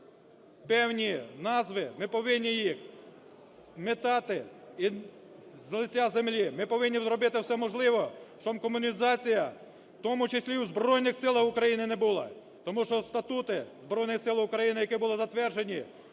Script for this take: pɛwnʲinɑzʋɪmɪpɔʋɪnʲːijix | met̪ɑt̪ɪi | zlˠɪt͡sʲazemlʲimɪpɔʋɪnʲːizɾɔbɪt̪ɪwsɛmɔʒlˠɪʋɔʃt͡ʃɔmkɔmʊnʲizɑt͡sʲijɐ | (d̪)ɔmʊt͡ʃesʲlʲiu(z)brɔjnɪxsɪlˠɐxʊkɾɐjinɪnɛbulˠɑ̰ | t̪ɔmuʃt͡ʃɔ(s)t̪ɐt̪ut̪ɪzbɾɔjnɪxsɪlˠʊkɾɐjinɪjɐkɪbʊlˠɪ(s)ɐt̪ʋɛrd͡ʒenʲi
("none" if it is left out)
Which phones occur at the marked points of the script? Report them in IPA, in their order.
t̪, z, s, z

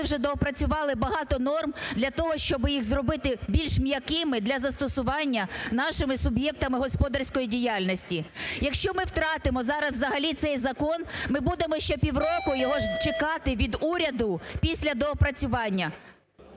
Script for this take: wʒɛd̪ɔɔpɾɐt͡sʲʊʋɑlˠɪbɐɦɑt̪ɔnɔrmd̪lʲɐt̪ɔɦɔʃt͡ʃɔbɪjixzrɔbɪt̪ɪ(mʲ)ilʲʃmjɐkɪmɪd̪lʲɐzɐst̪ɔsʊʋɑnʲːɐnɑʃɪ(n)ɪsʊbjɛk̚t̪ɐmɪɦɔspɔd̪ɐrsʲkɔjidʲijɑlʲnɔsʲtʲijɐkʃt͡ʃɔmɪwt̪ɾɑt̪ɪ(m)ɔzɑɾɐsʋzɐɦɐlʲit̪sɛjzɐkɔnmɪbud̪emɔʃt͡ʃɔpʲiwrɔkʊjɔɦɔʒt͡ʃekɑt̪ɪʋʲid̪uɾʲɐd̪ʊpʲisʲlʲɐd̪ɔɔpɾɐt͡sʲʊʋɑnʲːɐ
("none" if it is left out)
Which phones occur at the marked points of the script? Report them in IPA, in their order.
bʲ, m, m

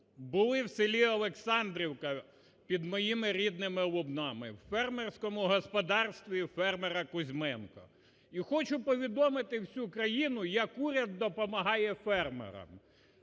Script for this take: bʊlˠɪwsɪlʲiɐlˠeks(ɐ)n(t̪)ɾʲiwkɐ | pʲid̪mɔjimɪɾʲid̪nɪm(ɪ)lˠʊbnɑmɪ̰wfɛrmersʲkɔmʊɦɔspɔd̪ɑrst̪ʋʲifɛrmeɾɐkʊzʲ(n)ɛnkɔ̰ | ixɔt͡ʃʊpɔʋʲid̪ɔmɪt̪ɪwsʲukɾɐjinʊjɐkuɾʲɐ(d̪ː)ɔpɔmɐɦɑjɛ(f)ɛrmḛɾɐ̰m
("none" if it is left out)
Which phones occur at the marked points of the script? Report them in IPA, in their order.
ɑ, d̪, ɪ, m, d̪ː, f

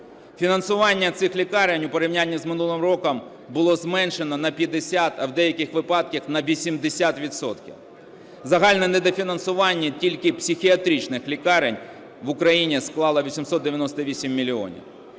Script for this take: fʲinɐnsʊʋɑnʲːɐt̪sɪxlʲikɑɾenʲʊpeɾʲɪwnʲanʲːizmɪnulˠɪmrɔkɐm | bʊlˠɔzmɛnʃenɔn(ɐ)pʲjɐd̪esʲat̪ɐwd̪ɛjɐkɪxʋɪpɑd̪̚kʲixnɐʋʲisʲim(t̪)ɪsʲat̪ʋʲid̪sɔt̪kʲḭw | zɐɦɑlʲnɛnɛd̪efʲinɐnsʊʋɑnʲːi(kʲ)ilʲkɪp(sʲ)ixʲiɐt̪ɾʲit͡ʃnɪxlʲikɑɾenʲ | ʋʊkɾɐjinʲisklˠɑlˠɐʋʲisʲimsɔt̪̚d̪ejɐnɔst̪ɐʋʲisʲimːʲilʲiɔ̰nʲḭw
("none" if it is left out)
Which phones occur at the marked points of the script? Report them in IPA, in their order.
ɐ, d̪, tʲ, sʲ

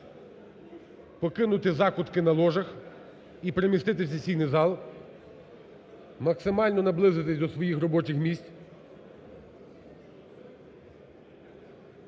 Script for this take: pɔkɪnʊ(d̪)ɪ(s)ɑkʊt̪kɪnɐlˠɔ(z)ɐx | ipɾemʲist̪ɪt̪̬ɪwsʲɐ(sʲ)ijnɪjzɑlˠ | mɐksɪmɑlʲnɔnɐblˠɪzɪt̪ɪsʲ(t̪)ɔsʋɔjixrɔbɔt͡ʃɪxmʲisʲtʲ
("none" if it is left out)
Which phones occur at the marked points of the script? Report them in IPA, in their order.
t̪, z, ʒ, sʲ, d̪

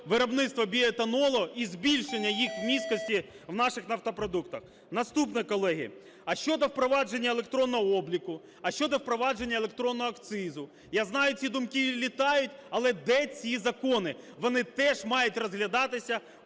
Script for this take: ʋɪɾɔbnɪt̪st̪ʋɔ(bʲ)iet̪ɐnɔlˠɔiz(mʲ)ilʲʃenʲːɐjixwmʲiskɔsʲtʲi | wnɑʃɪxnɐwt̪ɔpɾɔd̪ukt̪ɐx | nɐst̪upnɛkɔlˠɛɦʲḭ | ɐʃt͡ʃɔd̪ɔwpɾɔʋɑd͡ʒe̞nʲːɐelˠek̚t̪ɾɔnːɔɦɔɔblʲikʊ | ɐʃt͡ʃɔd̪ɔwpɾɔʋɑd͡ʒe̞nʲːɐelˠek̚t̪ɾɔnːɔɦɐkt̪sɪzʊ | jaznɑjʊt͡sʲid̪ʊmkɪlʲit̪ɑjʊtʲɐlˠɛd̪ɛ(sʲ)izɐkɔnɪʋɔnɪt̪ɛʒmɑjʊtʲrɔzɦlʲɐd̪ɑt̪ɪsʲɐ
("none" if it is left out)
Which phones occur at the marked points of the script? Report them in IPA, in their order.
bʲ, bʲ, t͡sʲ

